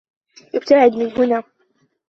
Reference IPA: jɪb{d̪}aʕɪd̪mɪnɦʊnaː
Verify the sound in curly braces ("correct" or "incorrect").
incorrect